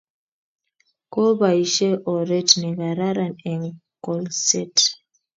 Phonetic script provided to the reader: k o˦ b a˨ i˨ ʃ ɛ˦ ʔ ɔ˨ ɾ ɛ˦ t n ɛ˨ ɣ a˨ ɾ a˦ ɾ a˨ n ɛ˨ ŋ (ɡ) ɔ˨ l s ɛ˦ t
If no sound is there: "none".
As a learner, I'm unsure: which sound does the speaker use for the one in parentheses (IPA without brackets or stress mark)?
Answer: k